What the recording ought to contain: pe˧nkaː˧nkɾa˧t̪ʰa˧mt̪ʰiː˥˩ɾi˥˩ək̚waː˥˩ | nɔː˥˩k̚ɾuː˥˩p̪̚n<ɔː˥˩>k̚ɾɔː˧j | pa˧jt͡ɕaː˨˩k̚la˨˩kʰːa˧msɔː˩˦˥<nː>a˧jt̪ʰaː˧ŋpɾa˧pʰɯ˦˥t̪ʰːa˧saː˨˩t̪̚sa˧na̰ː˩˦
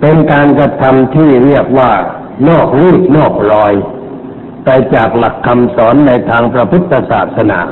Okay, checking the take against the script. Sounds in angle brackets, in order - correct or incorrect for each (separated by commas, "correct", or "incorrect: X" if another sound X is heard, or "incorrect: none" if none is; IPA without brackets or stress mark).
correct, correct